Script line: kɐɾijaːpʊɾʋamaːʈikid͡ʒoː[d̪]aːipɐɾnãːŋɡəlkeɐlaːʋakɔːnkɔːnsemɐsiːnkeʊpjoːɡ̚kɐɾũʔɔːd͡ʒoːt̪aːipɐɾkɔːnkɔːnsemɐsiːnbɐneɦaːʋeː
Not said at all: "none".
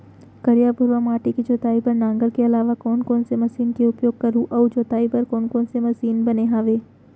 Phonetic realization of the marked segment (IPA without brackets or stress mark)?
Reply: t̪